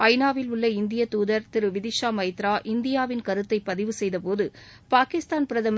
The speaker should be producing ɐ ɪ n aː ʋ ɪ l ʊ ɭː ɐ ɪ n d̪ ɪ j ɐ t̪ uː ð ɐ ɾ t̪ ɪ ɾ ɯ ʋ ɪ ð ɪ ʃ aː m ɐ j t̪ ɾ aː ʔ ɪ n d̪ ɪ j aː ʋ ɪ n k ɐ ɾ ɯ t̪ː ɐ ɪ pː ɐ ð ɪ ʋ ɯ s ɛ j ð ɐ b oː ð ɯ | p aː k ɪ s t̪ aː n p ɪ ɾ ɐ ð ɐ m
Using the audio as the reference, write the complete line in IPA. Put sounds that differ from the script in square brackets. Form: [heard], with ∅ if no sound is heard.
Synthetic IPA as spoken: ɐ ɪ n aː ʋ ɪ l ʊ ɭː ɐ ɪ n d̪ ɪ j ɐ t̪ uː ð ɐ ɾ t̪ ɪ ɾ ɯ ʋ ɪ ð ɪ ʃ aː m ɐ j t̪ ɾ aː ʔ ɪ n d̪ ɪ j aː ʋ ɪ n k ɐ ɾ ɯ t̪ː ɐ ɪ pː ɐ ð ɪ ʋ ɯ s ɛ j ð ɐ [p] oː ð ɯ | p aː k ɪ s t̪ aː n p ɪ ɾ ɐ ð ɐ m